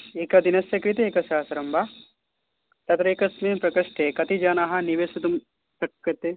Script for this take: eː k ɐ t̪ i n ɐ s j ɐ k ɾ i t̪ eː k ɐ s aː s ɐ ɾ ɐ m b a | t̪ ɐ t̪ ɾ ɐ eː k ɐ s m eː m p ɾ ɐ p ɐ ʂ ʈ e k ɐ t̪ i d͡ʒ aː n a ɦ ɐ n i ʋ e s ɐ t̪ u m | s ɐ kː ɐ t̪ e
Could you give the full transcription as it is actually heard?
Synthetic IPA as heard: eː k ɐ d̪ i n ɐ s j ɐ k ɾ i t̪ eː k ɐ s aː s ɐ ɾ ɐ m b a | t̪ ɐ t̪ ɾ ɐ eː k ɐ s m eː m p ɾ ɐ k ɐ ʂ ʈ e k ɐ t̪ i d͡ʒ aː n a ɦ ɐ n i ʋ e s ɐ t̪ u m | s ɐ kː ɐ t̪ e